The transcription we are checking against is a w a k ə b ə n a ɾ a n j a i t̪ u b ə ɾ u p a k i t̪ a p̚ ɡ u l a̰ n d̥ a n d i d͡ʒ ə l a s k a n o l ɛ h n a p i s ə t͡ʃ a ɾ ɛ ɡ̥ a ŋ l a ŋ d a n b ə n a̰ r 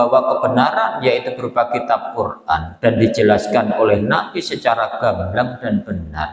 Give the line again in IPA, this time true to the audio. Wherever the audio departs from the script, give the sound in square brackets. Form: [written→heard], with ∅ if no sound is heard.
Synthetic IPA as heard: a w a k ə b ə n a ɾ a n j a i t̪ u b ə ɾ u p a k i t̪ a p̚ [ɡ→k] u [l→r] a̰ n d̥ a n d i d͡ʒ ə l a s k a n o l ɛ h n a p i s ə t͡ʃ a ɾ [ɛ→a] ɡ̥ a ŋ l a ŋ d a n b ə n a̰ r